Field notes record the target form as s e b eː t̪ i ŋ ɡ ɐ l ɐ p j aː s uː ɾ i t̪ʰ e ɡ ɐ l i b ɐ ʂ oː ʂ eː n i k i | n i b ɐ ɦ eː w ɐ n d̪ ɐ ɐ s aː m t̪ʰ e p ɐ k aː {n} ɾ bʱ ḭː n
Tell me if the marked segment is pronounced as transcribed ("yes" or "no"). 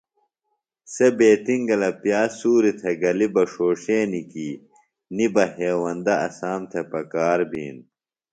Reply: no